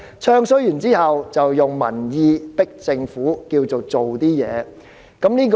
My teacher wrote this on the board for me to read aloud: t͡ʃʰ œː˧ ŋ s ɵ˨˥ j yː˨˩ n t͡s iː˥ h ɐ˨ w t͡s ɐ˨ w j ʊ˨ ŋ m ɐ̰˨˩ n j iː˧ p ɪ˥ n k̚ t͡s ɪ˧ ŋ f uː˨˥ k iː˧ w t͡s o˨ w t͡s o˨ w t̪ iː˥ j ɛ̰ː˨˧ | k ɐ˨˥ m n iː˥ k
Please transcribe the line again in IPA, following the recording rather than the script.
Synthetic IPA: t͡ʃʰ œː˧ ŋ s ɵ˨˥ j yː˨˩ n t͡s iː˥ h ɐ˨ w t͡s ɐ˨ w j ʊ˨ ŋ m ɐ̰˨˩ n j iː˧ p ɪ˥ k̚ t͡s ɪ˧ ŋ f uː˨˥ k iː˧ w t͡s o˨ w t͡s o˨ w t̪ iː˥ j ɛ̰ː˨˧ | k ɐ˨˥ m n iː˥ k

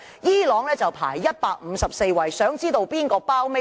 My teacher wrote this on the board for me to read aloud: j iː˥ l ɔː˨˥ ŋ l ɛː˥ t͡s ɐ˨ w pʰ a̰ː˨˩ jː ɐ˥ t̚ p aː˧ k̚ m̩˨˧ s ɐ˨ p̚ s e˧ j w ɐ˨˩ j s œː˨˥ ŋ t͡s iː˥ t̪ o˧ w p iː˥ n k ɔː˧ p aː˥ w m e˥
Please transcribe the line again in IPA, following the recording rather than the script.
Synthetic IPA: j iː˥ l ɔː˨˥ ŋ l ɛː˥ t͡s ɐ˨ w pʰ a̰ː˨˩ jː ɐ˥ t̚ p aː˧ k̚ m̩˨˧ s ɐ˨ p̚ s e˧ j w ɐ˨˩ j s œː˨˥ ŋ t͡s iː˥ t̪ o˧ w p iː˥ n k ɔː˧ p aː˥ w m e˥

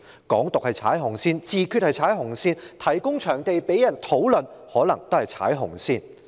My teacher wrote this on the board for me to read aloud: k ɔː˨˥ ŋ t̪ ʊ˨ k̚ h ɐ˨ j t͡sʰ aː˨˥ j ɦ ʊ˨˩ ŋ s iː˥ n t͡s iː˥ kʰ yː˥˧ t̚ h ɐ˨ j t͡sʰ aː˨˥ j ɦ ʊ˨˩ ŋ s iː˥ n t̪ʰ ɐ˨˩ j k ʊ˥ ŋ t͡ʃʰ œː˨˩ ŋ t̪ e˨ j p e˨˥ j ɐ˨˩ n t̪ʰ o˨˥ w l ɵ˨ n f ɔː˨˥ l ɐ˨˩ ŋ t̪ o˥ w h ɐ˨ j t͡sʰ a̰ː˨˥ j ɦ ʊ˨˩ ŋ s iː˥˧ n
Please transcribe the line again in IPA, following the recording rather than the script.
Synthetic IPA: k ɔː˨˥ ŋ t̪ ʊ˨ k̚ h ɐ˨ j t͡sʰ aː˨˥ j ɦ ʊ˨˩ ŋ s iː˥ n t͡s iː˨˧ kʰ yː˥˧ t̚ h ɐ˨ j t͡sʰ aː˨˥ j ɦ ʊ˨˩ ŋ s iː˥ n t̪ʰ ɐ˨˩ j k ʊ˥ ŋ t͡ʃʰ œː˨˩ ŋ t̪ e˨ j p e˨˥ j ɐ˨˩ n t̪ʰ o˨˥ w l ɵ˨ n h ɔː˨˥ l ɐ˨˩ ŋ t̪ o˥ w h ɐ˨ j t͡sʰ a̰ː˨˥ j ɦ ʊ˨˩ ŋ s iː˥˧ n

